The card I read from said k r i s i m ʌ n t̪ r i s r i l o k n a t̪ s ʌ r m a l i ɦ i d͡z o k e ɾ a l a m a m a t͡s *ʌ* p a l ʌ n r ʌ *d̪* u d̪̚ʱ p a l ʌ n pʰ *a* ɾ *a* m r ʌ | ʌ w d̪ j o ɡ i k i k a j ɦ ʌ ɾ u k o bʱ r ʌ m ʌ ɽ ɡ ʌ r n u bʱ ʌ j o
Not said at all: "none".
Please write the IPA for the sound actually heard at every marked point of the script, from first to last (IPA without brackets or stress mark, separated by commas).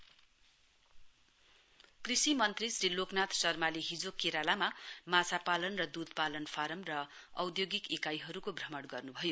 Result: a, d̪, a, ʌ